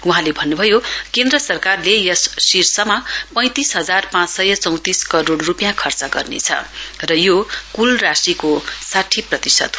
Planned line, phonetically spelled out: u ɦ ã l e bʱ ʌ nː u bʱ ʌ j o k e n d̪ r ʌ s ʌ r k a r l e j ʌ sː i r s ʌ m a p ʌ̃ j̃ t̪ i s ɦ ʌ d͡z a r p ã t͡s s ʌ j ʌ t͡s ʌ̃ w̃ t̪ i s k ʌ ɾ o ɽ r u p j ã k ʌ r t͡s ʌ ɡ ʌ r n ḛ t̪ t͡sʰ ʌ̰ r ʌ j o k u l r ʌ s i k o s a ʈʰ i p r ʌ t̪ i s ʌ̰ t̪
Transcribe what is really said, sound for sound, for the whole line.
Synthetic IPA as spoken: u ɦ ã l e bʱ ʌ nː u bʱ ʌ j o k e n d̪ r ʌ s ʌ r k a r l e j ʌ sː i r s ʌ m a p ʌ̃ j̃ t̪ i s ɦ ʌ d͡z a r p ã t͡s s ʌ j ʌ t͡s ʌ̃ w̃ t̪ i s k ʌ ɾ o ɽ r u p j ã kʰ ʌ r t͡s ʌ ɡ ʌ r n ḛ t͡sʰ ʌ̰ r ʌ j o k u l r a s i k o s a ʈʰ i p r ʌ t̪ i s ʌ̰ t̪

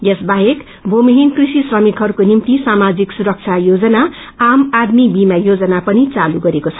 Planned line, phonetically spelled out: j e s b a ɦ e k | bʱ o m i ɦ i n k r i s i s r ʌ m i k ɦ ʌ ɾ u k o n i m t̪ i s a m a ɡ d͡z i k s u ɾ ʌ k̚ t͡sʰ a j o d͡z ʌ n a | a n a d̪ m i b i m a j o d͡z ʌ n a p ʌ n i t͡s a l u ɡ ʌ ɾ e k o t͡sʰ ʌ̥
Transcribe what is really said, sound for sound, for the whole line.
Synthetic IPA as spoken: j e s b a ɦ e k | bʱ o m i ɦ i n k r i s i s r ʌ m i k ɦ ʌ ɾ u k o n i m t̪ i s a m a d͡z i k s u ɾ ʌ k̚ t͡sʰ a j o d͡z ʌ n a | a m a d̪ m i b i m a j o d͡z ʌ n a p ʌ n i t͡s a l u ɡ ʌ ɾ e k o t͡sʰ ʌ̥

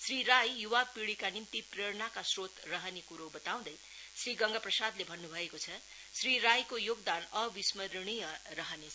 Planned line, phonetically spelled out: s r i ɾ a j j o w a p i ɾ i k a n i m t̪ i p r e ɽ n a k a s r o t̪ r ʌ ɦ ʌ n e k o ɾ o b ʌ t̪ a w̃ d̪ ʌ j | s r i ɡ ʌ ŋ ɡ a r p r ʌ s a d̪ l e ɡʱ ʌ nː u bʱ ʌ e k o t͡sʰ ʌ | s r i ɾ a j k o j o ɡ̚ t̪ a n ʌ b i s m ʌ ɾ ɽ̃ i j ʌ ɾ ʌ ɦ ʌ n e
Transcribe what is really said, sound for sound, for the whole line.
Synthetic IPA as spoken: s r i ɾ a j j u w a p i ɽ i k a n i m t̪ i p r e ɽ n a k a s r o t̪ r ʌ ɦ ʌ n e k u ɾ o b ʌ t̪ a w̃ d̪ ʌ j | s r i ɡ ʌ ŋ ɡ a p r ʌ s a d̪ l e bʱ ʌ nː u bʱ ʌ e k o t͡sʰ ʌ | s r i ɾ a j k o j o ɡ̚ d̪ a n ʌ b i s m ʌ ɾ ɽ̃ i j ʌ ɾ ʌ ɦ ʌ n e

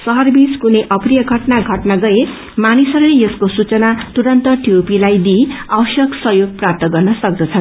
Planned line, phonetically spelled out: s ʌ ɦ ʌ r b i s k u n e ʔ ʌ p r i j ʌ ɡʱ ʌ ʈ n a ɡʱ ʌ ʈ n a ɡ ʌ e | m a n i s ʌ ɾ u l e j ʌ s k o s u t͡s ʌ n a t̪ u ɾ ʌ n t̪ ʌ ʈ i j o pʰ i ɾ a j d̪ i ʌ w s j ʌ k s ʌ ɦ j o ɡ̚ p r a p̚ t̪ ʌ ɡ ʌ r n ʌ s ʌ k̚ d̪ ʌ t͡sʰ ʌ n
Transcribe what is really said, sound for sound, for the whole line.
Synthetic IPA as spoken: s ʌ ɦ ʌ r b i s k u n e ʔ ʌ p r i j ʌ ɡʱ ʌ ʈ n a ɡʱ ʌ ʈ n a ɡ ʌ e | m a n i s ʌ ɾ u l e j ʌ s k o s u t͡s ʌ n a t̪ u ɾ ʌ n t̪ ʌ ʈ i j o p i l a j d̪ i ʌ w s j ʌ k s ʌ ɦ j o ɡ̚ p r a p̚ t̪ ʌ ɡ ʌ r n ʌ s ʌ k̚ d̪ ʌ t͡sʰ ʌ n

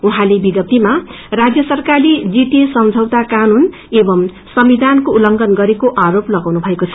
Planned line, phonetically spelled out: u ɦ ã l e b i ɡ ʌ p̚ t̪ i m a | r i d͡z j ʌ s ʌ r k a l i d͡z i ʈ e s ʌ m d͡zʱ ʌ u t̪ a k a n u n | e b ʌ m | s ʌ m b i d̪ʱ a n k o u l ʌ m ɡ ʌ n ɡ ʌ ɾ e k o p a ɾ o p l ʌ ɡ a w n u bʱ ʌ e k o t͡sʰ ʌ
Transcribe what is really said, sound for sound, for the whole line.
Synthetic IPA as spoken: u ɦ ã l e b i ɡ ʌ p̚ t̪ i m a | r a d͡z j ʌ s ʌ r k a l i d͡z i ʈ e s ʌ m d͡zʱ ʌ w t̪ a k a n u n | e b ʌ m | s ʌ m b i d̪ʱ a n k o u l ʌ ŋ ɡ ʌ n ɡ ʌ ɾ e k o ʔ a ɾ o p l ʌ ɡ a w n u bʱ ʌ e k o t͡sʰ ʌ

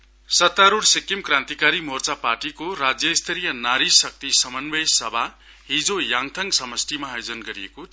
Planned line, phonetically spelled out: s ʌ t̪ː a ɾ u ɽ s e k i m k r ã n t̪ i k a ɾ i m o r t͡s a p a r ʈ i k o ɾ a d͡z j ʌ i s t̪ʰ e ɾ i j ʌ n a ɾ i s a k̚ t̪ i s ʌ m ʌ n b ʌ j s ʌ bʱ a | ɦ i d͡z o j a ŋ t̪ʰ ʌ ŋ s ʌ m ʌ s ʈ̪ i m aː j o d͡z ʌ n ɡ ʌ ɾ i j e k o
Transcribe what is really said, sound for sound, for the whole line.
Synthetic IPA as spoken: s ʌ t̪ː a ɾ u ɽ s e k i m k r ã n t̪ i k a ɾ i m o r t͡s a p a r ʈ i k o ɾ a d͡z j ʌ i s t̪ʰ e ɾ i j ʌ n a ɾ i s ʌ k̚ t̪ i s ʌ m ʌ n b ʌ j s ʌ bʱ a | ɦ i d͡z o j a ŋ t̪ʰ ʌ ŋ s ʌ m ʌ s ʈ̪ i m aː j o d͡z ʌ n ɡ ʌ ɾ i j e k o

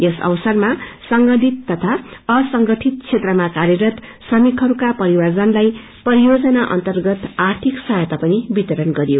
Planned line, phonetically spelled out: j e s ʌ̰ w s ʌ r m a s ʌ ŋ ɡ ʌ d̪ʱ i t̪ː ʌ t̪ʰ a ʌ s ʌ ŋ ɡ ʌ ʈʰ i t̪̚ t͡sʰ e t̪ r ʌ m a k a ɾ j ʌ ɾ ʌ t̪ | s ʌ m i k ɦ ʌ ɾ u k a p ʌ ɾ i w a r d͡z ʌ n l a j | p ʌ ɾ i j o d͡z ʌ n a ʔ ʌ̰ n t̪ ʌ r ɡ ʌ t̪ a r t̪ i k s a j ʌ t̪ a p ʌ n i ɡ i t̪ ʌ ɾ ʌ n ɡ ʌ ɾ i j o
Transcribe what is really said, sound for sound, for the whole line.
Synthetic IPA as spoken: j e s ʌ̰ w s ʌ r m a s ʌ ŋ ɡ ʌ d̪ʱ i t̪ː ʌ t̪ʰ a ʌ s ʌ ŋ ɡ ʌ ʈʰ i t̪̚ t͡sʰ e t̪ r ʌ m a k a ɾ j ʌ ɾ ʌ t̪ | s ʌ m i k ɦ ʌ ɾ u k a p ʌ ɾ i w a r d͡z ʌ n l a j | p ʌ ɾ i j o d͡z ʌ n a ʔ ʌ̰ n t̪ ʌ r ɡ ʌ t̪ a r t̪ʰ i k s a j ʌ t̪ a p ʌ n i b i t̪ ʌ ɾ ʌ n ɡ ʌ ɾ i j o

